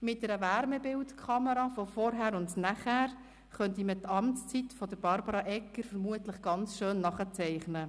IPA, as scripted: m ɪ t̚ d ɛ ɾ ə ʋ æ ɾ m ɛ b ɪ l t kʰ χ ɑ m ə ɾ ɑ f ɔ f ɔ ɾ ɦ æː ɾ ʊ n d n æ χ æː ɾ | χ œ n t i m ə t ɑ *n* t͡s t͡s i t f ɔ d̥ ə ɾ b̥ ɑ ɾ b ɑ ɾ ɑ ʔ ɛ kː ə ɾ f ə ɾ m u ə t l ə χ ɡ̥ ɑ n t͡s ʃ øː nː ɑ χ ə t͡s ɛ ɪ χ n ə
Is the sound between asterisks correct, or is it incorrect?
incorrect